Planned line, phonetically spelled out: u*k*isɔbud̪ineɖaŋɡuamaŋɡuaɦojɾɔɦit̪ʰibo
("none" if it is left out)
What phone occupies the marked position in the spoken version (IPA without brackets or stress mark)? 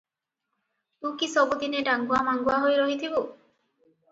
k